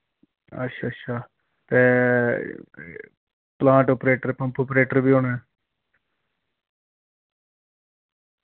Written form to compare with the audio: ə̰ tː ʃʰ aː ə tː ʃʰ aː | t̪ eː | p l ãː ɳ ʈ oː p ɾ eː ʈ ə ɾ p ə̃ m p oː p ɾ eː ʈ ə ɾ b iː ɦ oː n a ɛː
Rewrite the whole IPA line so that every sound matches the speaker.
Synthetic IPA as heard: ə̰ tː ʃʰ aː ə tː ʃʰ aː | t̪ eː | p l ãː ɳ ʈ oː p ɾ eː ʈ ə ɾ p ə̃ m p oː p ɾ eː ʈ ə ɾ b iː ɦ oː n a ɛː